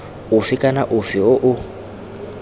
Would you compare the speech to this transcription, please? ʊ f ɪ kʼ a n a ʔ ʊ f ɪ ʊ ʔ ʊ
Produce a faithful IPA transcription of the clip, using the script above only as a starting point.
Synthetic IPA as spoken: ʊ f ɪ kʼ a n a ʔ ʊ f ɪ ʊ ʔ ʊ